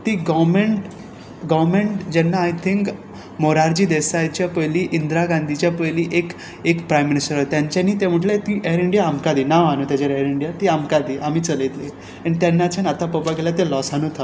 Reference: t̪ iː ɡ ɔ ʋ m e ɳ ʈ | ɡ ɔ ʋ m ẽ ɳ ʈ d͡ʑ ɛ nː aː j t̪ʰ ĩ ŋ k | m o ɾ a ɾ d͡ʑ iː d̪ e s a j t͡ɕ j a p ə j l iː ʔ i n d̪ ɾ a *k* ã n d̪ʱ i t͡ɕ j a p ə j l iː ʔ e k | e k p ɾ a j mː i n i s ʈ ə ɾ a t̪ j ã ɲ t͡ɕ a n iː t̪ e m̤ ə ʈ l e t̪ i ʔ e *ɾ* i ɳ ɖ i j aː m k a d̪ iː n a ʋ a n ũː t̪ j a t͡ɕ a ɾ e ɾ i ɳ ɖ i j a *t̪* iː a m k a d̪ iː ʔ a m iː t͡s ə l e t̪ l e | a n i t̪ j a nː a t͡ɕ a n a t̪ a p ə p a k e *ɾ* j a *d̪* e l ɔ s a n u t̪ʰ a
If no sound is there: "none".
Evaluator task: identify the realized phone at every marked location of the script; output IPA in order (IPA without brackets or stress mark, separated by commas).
ɡ, ɾ, t̪, l, t̪